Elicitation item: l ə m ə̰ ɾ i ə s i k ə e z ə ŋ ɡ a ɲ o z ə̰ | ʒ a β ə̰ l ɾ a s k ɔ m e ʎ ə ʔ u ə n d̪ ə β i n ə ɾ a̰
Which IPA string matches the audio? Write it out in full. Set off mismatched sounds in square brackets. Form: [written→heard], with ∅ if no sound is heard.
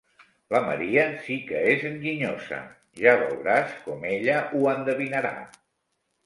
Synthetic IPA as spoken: l ə m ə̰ ɾ i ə s i k ə e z ə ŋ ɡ [a→i] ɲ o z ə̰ | ʒ a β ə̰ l ɾ a s k ɔ m e ʎ ə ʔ u ə n d̪ ə β i n ə ɾ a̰